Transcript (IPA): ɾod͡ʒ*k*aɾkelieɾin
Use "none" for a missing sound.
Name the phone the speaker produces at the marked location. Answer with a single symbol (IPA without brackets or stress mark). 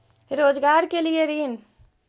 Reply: ɡ